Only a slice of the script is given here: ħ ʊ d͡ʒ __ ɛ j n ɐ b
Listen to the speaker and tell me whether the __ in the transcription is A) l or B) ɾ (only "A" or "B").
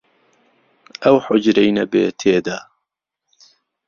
B